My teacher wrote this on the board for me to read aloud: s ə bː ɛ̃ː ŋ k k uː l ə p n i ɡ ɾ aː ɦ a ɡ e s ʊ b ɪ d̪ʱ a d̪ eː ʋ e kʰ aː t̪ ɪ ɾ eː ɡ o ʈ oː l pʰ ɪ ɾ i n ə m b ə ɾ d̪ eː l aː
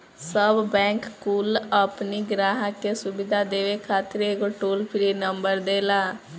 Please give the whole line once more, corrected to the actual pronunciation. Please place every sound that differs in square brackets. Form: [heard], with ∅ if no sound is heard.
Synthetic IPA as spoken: s ə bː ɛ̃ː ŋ k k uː l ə p n i ɡ ɾ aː ɦ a [k] e s ʊ b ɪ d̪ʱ a d̪ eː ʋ e kʰ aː t̪ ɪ ɾ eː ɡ o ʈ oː l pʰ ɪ ɾ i n ə m b ə ɾ d̪ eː l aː

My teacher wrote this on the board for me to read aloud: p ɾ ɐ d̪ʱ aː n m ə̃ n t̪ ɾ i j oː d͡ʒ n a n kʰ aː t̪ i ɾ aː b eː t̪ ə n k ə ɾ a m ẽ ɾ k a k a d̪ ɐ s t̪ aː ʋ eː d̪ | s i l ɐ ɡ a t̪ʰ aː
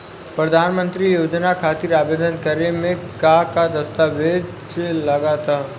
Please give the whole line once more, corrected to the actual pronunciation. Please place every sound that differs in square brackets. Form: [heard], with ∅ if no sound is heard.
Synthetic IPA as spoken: p ɾ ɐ d̪ʱ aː n m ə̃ n t̪ ɾ i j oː d͡ʒ n a [∅] kʰ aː t̪ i ɾ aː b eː [d̪] ə n k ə ɾ [e] m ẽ [∅] k a k a d̪ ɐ s t̪ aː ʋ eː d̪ | s [e] l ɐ ɡ a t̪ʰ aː

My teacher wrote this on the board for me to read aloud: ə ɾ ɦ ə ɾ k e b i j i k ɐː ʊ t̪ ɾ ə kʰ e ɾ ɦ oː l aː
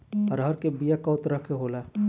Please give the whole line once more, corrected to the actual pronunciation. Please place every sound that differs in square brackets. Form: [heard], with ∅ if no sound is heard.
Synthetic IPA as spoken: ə ɾ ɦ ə ɾ k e b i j [a] k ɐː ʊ t̪ ɾ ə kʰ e [∅] ɦ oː l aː

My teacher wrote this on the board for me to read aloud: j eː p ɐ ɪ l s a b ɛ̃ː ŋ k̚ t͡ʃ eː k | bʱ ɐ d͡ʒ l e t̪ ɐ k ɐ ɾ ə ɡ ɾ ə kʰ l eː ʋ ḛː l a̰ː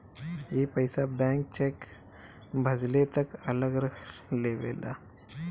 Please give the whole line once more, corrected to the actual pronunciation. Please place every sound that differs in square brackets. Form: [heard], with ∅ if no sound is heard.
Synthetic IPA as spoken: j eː p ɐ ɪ [∅] s a b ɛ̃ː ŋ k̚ t͡ʃ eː k | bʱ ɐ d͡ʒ l e t̪ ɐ k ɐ [l] ə ɡ ɾ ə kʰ l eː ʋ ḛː l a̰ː

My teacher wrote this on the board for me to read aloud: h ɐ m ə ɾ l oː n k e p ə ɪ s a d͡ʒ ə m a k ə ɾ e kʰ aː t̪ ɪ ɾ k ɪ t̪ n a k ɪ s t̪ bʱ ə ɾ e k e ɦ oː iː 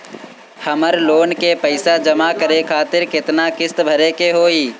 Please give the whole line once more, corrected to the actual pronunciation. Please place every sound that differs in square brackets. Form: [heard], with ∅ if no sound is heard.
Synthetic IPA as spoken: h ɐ m ə ɾ l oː n k e p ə ɪ s a d͡ʒ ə m a k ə ɾ e kʰ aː t̪ ɪ ɾ k ɪ t̪ n a k ɪ s t̪ bʱ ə ɾ e k e ɦ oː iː

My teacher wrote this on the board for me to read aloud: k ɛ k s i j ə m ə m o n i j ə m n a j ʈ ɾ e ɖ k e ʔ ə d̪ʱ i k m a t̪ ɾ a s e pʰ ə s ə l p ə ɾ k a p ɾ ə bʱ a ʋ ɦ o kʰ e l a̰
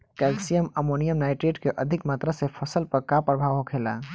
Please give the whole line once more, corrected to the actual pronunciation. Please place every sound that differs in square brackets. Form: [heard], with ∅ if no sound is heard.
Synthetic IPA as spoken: k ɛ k s i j ə m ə m o n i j ə m n a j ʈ ɾ e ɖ k e ʔ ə d̪ʱ i k m a t̪ ɾ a s e pʰ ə s ə l p ə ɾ k a p ɾ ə bʱ a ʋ ɦ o kʰ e l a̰

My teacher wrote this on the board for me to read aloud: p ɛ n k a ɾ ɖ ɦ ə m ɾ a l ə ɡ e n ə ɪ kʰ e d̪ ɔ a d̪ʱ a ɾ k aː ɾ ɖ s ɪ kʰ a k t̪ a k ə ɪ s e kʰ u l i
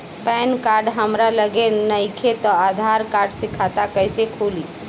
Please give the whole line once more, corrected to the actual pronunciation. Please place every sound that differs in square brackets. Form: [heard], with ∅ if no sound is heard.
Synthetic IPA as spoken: p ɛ n k a ɾ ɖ ɦ ə m ɾ a l ə ɡ e n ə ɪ kʰ e [t̪] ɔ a d̪ʱ a ɾ k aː ɾ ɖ s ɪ kʰ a [∅] t̪ a k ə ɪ s e kʰ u l i

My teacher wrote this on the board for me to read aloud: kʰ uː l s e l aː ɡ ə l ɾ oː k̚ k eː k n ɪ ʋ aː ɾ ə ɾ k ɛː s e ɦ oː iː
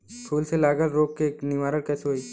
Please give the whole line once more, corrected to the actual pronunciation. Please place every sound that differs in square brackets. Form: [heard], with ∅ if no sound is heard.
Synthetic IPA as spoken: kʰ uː l s e l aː ɡ ə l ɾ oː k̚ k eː k n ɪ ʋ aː ɾ ə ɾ k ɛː s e ɦ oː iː

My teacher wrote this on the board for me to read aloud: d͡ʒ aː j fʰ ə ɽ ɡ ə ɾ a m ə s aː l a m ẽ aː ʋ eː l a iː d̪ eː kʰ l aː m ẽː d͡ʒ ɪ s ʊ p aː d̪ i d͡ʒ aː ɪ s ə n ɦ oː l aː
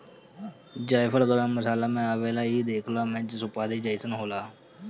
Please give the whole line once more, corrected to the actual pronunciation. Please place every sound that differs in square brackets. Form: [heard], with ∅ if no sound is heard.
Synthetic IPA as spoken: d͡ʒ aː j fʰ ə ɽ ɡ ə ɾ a m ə s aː l a m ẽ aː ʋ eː l a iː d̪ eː kʰ l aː m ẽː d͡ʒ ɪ s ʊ p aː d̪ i d͡ʒ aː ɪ s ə n ɦ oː l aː

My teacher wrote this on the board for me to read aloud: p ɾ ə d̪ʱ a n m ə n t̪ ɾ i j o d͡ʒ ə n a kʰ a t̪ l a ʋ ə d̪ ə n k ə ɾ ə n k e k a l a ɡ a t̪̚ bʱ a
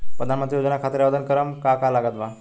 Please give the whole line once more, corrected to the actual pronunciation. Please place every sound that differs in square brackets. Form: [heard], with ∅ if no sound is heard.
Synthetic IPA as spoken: p ɾ ə d̪ʱ a n m ə n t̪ ɾ i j o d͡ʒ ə n a kʰ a t̪ [ɾ] a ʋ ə d̪ ə n k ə ɾ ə [m] k [a] k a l a ɡ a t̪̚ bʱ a

